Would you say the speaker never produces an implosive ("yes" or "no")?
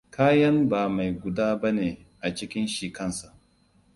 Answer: yes